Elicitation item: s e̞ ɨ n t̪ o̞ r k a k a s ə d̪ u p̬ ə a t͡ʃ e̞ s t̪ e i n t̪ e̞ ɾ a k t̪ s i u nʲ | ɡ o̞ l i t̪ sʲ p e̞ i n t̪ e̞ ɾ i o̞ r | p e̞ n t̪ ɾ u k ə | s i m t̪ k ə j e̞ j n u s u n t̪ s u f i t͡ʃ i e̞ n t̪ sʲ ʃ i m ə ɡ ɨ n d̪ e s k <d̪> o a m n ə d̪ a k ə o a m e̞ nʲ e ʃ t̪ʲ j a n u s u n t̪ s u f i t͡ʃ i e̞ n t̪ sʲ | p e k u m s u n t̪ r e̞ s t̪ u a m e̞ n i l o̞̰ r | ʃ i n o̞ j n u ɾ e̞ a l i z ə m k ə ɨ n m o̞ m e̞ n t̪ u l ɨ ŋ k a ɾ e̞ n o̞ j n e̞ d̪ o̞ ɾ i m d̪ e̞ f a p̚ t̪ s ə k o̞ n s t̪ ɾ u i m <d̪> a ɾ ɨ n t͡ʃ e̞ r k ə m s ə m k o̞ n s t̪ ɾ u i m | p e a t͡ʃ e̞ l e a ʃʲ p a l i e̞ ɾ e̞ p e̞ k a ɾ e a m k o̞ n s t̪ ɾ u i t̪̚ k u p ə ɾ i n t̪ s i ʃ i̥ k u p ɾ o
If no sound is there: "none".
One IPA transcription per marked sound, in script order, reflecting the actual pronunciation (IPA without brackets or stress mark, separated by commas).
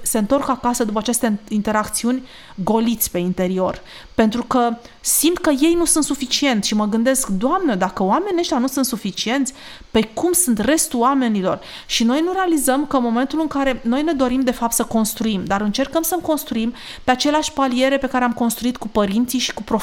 d̪, d̪